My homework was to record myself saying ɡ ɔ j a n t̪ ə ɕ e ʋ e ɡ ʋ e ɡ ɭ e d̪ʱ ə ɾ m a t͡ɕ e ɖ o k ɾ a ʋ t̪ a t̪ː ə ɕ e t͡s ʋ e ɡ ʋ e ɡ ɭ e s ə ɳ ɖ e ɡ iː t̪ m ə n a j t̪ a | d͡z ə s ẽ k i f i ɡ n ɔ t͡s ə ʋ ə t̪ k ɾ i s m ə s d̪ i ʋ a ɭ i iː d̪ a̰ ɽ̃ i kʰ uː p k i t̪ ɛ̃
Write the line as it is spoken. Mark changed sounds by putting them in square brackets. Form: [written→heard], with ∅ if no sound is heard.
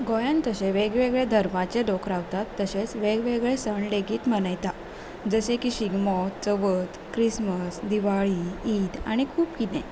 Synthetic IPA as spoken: ɡ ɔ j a n t̪ ə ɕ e ʋ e ɡ ʋ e ɡ ɭ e d̪ʱ ə ɾ m a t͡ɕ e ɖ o k ɾ a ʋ t̪ a t̪ː ə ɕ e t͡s ʋ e ɡ ʋ e ɡ ɭ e s ə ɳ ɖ e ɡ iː t̪ m ə n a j t̪ a | d͡z ə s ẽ k i [f→ɕ] i ɡ [n→m] ɔ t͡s ə ʋ ə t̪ k ɾ i s m ə s d̪ i ʋ a ɭ i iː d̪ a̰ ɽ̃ i kʰ uː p k i t̪ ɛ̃